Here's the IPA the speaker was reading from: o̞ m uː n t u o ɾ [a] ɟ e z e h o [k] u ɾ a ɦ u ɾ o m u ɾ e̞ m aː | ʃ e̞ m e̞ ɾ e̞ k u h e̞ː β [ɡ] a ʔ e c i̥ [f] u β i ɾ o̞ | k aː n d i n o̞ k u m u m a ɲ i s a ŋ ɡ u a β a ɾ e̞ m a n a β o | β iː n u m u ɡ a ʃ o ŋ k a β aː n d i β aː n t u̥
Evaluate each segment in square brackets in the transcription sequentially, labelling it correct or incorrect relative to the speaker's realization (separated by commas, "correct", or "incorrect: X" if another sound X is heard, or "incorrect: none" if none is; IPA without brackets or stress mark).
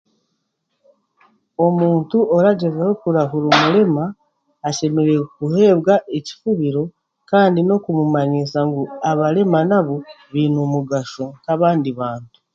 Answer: correct, correct, correct, correct